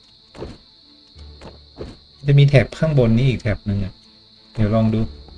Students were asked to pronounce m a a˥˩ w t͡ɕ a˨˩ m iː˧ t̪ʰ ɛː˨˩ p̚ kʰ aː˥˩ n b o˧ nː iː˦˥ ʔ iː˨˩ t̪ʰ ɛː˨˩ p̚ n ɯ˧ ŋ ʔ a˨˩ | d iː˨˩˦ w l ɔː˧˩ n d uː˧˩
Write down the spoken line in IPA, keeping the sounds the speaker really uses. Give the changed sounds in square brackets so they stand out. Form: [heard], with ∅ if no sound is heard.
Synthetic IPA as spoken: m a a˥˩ [∅] t͡ɕ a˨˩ m iː˧ t̪ʰ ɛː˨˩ p̚ kʰ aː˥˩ [ŋ] b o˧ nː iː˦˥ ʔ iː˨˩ t̪ʰ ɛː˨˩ p̚ n ɯ˧ ŋ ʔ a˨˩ | d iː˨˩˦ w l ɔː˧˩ [ŋ] d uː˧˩

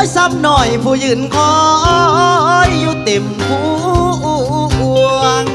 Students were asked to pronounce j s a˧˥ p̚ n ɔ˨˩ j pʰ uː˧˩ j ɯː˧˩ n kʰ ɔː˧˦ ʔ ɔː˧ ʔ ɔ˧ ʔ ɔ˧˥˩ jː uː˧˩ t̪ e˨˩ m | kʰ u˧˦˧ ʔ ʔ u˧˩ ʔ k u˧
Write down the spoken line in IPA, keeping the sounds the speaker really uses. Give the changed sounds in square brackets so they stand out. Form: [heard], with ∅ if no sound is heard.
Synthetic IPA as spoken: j s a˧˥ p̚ n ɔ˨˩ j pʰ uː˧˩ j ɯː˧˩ n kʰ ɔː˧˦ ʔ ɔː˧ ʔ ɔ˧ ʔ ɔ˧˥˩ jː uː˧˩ t̪ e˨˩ m | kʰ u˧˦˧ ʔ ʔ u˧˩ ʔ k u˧

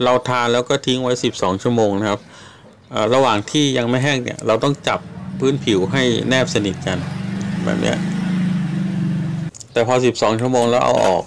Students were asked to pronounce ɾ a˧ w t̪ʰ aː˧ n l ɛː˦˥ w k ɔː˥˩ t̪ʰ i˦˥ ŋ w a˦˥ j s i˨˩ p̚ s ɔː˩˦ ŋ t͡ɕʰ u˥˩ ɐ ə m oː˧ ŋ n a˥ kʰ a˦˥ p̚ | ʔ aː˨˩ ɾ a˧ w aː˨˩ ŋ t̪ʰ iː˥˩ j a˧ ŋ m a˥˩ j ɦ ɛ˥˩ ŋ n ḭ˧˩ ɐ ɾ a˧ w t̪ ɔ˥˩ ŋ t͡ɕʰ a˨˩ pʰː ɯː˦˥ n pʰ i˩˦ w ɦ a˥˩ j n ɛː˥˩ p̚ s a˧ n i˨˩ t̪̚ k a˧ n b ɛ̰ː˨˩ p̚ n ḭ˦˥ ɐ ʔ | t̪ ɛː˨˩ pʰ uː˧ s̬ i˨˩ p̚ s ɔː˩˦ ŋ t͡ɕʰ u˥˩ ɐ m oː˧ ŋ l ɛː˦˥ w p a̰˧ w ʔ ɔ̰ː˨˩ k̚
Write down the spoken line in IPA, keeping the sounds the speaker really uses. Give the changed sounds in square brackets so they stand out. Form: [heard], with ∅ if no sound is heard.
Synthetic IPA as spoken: ɾ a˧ w t̪ʰ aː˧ n l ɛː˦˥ w k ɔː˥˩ t̪ʰ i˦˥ ŋ w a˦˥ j s i˨˩ p̚ s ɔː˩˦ ŋ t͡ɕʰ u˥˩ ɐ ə m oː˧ ŋ n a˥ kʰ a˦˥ p̚ | ʔ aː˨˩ ɾ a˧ w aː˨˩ ŋ t̪ʰ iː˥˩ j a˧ ŋ m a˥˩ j ɦ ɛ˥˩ ŋ n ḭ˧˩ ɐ ɾ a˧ w t̪ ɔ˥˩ ŋ [t͡ɕ] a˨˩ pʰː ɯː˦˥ n pʰ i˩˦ w ɦ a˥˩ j n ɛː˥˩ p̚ s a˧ n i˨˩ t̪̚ k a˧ n b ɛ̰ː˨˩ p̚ n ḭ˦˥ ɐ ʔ | t̪ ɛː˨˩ pʰ [ɔː˧] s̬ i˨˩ p̚ s ɔː˩˦ ŋ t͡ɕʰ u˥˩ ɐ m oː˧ ŋ l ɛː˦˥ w [ʔ] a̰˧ w ʔ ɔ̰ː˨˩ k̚

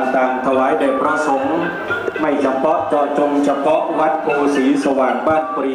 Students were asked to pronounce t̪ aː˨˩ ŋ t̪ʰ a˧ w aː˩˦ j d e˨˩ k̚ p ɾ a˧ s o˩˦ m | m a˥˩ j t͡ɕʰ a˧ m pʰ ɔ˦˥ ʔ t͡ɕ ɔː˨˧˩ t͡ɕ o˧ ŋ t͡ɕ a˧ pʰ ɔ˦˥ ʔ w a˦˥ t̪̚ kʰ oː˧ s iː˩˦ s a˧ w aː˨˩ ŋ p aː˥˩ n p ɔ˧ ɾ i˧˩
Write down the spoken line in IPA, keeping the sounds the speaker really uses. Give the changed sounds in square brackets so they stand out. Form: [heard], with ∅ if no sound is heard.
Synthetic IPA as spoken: t̪ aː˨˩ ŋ t̪ʰ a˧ w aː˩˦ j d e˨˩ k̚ p ɾ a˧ s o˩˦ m | m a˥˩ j t͡ɕʰ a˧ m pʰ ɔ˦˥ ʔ t͡ɕ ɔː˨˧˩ t͡ɕ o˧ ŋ [t͡ɕʰ] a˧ pʰ ɔ˦˥ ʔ w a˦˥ t̪̚ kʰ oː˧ s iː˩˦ s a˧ w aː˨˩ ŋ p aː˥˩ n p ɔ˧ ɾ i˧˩

